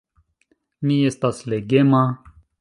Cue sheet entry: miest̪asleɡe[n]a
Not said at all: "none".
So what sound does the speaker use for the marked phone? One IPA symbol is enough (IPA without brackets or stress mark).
m